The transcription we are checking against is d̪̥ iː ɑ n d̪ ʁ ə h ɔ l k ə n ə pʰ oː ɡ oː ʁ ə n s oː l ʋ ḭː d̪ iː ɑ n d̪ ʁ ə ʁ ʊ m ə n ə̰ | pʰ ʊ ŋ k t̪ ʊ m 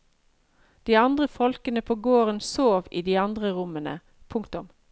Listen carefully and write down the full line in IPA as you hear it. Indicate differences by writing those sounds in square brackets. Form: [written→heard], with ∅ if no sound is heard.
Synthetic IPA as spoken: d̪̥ iː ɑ n d̪ ʁ ə [h→f] ɔ l k ə n ə pʰ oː ɡ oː ʁ ə n s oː [l→∅] ʋ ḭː d̪ iː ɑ n d̪ ʁ ə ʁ ʊ m ə n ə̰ | pʰ ʊ ŋ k t̪ ʊ m